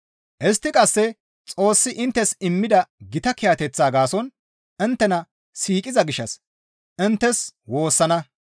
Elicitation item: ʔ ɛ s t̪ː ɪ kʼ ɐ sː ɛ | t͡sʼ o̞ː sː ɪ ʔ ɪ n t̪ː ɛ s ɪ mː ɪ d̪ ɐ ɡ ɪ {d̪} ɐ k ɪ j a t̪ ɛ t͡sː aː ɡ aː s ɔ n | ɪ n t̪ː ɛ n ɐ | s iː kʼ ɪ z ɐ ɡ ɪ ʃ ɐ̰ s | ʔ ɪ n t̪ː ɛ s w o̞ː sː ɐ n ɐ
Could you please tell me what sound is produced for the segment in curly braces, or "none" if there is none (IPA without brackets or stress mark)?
t̪